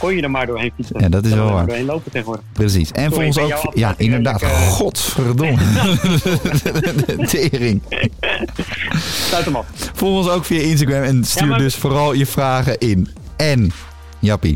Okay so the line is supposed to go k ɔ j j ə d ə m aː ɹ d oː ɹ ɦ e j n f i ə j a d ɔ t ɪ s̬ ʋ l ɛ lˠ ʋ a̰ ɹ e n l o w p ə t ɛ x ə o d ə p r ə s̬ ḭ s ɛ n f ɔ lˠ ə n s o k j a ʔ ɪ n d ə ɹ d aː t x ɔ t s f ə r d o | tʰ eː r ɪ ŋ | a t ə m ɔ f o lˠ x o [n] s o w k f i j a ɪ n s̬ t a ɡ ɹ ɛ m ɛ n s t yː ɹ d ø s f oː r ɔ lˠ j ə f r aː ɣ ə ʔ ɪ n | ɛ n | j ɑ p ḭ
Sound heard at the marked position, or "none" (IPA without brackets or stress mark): n